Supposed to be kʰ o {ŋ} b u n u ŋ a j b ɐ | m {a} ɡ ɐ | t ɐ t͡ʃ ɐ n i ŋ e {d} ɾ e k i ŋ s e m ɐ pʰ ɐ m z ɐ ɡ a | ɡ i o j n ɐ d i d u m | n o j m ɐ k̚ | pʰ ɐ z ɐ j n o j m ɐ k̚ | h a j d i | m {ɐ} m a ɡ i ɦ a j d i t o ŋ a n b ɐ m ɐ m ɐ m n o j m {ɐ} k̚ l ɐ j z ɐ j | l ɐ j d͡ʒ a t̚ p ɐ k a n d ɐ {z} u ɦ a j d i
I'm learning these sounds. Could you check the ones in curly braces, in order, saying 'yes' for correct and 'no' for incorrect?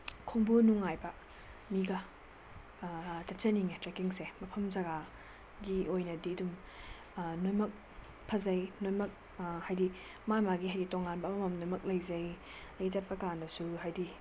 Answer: yes, no, no, no, yes, no

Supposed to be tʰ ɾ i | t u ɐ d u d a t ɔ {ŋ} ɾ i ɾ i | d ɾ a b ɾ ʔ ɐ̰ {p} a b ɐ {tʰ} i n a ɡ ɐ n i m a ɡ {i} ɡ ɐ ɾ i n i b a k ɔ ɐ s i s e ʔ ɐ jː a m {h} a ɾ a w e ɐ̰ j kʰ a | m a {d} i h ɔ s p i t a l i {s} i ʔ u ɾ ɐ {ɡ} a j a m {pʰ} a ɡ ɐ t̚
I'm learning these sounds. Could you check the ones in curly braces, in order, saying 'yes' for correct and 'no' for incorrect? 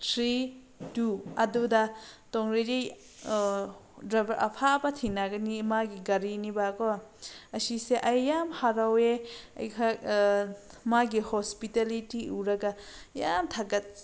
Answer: yes, no, yes, yes, yes, no, no, yes, no

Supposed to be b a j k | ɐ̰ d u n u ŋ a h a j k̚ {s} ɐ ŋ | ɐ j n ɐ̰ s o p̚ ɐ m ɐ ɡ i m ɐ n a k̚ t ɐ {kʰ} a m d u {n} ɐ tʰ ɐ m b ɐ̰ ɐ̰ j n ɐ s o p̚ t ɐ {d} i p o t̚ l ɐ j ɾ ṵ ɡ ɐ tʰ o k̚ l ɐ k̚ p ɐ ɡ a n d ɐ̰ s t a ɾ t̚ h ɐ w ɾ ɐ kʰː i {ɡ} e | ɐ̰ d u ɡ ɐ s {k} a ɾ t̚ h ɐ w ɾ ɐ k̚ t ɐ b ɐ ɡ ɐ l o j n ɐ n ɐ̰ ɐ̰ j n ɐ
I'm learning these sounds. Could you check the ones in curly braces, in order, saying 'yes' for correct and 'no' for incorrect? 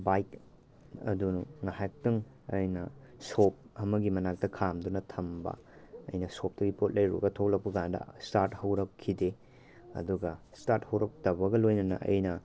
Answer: no, yes, yes, no, no, no

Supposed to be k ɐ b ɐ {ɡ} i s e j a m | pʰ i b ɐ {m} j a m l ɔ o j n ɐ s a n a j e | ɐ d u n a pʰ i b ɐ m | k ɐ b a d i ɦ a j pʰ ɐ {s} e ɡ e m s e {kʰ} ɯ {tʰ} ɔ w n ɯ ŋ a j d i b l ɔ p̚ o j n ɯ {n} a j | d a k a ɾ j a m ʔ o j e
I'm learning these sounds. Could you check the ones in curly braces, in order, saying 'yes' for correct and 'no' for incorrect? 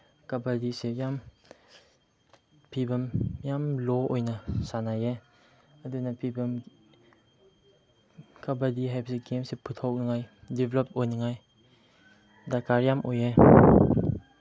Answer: no, yes, yes, no, yes, no

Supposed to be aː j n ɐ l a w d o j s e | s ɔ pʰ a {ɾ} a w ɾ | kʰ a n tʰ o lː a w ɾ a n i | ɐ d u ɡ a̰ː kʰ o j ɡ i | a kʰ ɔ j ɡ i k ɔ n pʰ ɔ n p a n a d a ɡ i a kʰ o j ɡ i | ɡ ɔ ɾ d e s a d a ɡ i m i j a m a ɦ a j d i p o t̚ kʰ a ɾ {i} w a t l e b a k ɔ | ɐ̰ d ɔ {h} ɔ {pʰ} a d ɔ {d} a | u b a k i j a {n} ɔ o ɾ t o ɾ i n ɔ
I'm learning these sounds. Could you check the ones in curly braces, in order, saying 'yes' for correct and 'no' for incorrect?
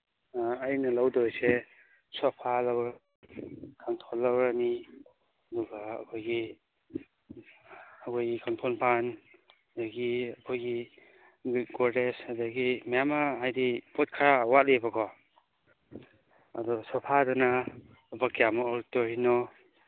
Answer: no, no, no, yes, no, no

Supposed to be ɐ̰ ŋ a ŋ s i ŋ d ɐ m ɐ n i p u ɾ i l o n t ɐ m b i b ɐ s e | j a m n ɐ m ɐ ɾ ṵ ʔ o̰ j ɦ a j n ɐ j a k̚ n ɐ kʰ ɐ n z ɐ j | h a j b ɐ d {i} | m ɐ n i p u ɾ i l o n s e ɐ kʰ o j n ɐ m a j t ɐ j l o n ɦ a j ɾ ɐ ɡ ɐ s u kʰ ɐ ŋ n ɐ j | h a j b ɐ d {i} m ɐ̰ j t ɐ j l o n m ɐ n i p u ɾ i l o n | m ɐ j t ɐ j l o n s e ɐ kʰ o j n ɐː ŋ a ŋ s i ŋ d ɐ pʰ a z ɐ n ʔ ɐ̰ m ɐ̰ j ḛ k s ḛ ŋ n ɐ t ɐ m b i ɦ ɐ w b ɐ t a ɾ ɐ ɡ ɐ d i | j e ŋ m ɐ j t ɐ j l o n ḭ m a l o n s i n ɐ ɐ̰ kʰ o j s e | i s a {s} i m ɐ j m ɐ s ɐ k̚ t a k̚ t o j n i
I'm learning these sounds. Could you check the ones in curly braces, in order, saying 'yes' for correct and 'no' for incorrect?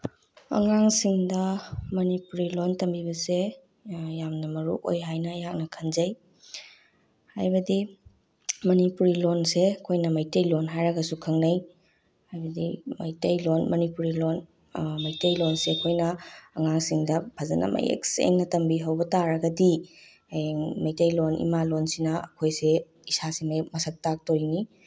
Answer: yes, yes, yes

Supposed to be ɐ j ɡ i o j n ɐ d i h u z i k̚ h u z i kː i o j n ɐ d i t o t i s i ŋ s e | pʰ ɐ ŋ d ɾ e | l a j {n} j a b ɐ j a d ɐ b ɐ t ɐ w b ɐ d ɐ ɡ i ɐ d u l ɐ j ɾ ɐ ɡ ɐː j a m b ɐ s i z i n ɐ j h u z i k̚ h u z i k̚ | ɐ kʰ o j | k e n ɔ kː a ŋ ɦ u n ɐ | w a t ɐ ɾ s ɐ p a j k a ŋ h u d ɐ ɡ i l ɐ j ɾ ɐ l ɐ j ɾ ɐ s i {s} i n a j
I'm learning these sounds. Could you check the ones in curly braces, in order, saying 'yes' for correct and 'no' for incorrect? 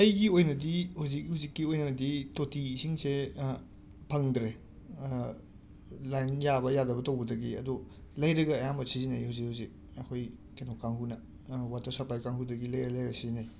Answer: yes, no

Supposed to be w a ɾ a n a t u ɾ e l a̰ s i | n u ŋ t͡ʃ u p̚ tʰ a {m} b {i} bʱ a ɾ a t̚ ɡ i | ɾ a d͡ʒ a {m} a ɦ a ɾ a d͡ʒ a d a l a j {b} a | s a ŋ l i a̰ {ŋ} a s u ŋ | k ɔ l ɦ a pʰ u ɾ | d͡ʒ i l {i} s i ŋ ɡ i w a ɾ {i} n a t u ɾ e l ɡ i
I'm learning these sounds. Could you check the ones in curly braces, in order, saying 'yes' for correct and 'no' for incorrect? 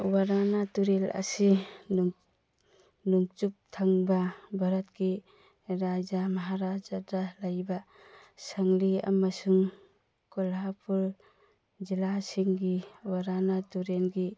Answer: no, no, yes, yes, no, no, no

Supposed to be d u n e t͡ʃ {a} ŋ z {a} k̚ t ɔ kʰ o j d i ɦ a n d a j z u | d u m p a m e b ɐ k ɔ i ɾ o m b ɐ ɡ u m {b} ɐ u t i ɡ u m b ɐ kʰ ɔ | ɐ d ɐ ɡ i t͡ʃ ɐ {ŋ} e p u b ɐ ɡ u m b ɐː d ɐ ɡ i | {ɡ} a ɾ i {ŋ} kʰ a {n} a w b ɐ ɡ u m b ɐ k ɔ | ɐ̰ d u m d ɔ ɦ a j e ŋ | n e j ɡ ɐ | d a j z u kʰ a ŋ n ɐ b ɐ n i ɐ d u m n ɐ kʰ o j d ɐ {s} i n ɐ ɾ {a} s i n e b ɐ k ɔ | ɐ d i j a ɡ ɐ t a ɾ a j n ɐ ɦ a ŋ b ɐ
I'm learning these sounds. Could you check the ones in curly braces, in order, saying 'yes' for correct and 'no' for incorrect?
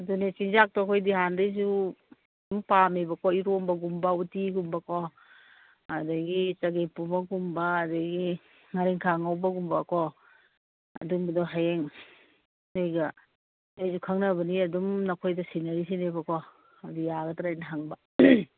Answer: no, yes, yes, no, no, yes, no, yes, no

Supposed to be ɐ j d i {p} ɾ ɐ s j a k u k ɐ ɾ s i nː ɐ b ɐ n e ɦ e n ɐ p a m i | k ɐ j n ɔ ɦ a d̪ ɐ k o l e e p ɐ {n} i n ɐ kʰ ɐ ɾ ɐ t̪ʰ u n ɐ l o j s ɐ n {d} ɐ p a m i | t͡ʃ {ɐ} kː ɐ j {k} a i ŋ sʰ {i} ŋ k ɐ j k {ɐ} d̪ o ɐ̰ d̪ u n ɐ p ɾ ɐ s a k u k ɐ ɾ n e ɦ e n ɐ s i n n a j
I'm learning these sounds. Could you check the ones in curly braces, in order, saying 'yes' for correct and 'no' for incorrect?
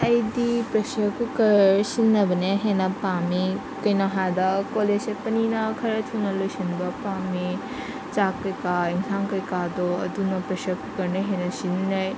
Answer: yes, yes, no, no, yes, no, no

